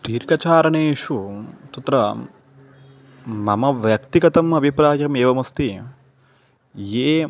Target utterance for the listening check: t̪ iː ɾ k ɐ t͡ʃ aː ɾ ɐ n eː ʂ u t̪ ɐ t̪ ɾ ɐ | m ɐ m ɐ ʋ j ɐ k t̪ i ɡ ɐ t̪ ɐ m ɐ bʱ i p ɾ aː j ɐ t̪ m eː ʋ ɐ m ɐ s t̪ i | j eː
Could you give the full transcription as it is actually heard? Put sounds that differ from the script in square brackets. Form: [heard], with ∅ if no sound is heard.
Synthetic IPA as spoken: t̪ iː ɾ k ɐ t͡ʃ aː ɾ ɐ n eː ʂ u t̪ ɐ t̪ ɾ ɐ | m ɐ m ɐ ʋ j ɐ k t̪ i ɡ ɐ t̪ ɐ m ɐ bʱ i p ɾ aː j ɐ [∅] m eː ʋ ɐ m ɐ s t̪ i | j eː